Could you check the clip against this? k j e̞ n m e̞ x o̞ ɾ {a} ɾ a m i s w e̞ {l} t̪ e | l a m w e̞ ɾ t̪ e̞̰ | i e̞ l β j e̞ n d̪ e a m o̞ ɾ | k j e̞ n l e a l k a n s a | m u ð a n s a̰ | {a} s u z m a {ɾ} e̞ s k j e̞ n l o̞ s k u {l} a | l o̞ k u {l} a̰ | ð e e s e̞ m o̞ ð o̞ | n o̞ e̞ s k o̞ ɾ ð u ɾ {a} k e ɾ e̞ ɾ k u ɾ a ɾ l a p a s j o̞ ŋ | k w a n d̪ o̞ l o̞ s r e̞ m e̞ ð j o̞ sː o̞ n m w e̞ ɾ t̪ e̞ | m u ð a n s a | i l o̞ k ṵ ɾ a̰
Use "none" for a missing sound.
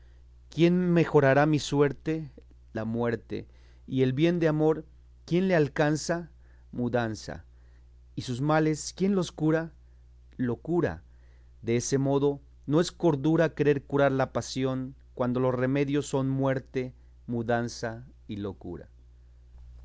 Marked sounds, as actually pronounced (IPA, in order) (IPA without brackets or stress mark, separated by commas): a, ɾ, i, l, ɾ, ɾ, a